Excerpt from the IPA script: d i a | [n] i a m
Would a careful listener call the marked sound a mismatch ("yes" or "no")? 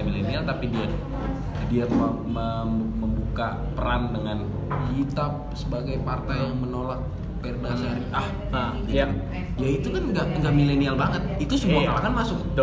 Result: yes